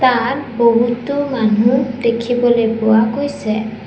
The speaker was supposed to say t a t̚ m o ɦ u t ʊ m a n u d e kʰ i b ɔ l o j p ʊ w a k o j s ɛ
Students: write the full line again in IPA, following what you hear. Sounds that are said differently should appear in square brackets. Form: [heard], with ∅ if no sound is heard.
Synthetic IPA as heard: t a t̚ [b] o ɦ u t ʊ m a n u d e kʰ i b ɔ l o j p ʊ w a k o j s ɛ